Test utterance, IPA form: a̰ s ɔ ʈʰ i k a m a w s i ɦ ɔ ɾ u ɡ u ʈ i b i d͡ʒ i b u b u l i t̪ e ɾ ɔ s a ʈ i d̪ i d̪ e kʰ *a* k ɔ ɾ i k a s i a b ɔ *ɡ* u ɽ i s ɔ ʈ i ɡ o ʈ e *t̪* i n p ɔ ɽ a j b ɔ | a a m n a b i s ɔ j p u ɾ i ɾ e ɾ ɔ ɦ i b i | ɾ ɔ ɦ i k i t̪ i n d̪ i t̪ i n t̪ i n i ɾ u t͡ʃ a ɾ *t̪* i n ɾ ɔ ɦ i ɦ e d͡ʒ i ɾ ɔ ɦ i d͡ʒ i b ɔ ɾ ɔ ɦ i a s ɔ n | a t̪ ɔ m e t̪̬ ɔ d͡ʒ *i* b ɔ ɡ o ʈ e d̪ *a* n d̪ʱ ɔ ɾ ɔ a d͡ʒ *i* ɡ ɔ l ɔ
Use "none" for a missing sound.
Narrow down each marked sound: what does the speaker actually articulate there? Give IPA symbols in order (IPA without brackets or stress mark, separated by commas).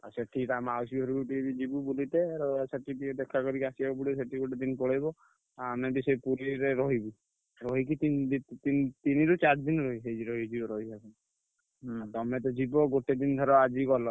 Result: a, b, d̪, d̪, i, i, i